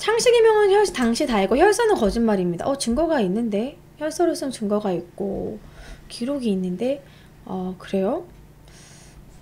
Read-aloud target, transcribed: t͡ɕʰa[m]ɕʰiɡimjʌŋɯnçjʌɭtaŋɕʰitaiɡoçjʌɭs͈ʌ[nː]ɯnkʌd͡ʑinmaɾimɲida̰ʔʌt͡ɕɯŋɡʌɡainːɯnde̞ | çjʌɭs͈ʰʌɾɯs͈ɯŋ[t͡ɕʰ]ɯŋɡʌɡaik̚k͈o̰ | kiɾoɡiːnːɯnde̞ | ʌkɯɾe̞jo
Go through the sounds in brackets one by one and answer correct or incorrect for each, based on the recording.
incorrect: ŋ, incorrect: n, incorrect: t͡ɕ

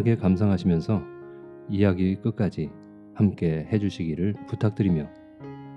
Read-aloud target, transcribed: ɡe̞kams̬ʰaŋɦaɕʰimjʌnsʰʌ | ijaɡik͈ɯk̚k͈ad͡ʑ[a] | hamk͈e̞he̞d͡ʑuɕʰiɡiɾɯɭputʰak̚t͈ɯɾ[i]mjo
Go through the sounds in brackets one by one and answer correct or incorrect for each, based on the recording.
incorrect: i, correct

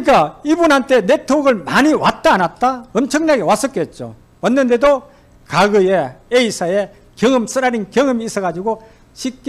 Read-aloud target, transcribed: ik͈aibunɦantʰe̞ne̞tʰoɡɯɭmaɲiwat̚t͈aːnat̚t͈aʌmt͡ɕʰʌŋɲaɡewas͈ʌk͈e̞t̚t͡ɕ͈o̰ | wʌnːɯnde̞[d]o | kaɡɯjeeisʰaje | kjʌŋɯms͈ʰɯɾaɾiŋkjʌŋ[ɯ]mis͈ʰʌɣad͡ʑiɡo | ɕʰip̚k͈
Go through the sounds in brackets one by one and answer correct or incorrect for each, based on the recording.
correct, correct

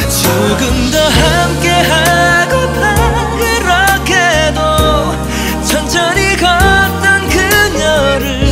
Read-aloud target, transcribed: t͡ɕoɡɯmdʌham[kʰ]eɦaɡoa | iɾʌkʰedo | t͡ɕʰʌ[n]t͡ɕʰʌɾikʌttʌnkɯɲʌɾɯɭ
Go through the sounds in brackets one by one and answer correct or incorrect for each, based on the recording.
incorrect: k, correct

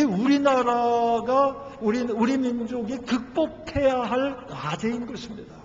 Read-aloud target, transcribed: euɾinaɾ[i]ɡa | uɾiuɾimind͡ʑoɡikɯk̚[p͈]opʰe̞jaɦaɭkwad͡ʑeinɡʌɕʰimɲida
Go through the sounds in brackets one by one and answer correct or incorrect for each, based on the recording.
incorrect: a, correct

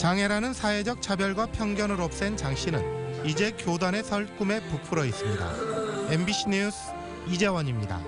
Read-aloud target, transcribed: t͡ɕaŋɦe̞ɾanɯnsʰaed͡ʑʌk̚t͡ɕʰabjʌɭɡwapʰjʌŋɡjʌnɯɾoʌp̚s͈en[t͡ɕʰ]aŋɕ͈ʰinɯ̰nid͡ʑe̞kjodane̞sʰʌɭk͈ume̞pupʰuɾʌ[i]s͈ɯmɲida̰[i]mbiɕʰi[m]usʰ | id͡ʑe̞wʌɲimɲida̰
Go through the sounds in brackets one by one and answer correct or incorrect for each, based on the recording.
incorrect: t͡ɕ, correct, incorrect: e, incorrect: ɲ

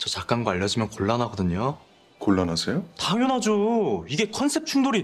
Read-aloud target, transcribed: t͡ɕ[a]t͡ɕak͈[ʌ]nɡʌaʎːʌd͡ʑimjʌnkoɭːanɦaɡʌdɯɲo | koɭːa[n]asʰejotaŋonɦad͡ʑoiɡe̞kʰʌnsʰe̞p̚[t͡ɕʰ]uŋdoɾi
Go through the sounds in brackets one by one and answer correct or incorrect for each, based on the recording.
incorrect: ʌ, incorrect: a, correct, correct

